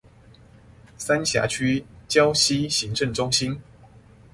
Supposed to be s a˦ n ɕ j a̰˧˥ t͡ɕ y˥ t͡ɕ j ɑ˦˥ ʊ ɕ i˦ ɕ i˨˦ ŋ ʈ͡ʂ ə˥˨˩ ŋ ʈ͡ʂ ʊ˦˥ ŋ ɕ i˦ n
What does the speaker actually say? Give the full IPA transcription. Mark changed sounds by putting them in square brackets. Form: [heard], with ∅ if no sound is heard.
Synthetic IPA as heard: s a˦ n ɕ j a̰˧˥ [t͡ɕʰ] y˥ t͡ɕ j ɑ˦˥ ʊ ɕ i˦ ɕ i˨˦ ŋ ʈ͡ʂ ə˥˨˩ ŋ ʈ͡ʂ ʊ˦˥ ŋ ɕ i˦ n